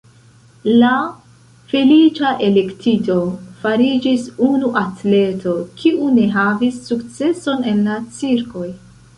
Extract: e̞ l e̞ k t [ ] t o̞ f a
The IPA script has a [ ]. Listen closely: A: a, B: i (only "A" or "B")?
B